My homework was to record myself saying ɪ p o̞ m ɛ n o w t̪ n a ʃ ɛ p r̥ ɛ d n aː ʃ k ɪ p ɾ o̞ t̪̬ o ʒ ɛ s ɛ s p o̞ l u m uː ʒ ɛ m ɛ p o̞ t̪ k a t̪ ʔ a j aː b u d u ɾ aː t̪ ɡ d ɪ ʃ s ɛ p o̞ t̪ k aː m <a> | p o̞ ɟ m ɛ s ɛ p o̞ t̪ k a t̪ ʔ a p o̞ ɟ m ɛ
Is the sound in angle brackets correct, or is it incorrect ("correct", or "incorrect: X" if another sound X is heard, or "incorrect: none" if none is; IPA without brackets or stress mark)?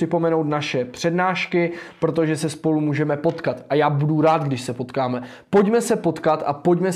incorrect: ɛ